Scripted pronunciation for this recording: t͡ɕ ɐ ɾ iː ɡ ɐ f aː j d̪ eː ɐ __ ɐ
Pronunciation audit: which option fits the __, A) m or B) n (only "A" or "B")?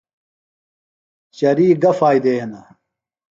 B